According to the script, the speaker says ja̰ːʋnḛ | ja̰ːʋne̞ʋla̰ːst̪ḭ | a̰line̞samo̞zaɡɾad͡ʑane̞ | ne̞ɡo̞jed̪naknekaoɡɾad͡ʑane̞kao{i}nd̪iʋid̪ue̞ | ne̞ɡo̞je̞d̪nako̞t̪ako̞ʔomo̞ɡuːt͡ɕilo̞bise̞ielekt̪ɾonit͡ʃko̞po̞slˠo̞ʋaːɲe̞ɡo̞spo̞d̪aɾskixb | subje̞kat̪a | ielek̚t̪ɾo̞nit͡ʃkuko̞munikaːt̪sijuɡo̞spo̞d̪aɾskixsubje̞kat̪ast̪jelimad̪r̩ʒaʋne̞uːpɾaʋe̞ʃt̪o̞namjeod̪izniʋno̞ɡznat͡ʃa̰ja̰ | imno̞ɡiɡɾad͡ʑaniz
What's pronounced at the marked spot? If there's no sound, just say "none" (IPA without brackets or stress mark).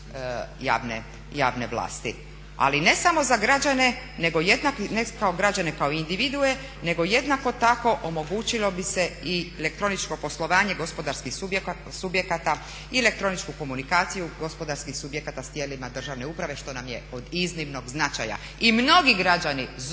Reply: i